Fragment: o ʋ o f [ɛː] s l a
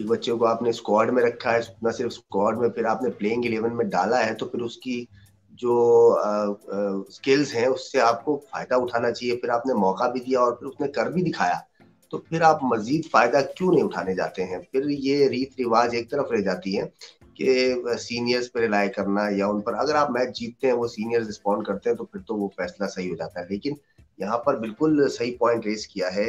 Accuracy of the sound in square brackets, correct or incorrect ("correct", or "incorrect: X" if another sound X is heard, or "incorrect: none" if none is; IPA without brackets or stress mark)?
correct